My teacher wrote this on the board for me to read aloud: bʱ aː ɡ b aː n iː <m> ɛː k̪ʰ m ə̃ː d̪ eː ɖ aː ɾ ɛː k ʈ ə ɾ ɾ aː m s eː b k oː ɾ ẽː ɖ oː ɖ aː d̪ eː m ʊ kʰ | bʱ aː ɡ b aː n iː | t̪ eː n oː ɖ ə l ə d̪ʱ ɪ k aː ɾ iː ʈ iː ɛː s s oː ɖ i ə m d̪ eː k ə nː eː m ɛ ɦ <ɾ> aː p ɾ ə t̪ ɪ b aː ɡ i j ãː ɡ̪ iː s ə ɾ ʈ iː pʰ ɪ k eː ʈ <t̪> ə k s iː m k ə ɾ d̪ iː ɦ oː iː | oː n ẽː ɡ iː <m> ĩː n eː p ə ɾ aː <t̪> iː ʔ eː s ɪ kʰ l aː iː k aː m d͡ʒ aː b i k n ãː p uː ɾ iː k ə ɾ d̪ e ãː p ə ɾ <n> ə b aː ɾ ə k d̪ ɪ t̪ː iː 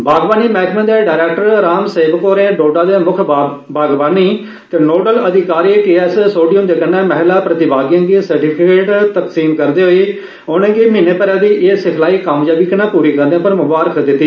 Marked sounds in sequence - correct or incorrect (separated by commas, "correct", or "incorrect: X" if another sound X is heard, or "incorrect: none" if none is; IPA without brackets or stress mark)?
correct, incorrect: l, correct, correct, incorrect: d̪, incorrect: m